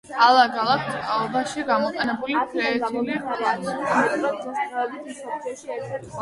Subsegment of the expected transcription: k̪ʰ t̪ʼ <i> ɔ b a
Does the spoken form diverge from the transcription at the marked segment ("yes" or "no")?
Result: yes